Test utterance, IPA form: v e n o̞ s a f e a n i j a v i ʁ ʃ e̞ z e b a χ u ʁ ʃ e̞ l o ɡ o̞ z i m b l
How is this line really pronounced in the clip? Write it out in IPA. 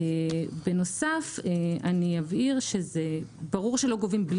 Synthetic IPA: b e n o̞ s a f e a n i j a v i ʁ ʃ e̞ z e b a ʁ u ʁ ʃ e̞ l o ɡ o̞ v i m b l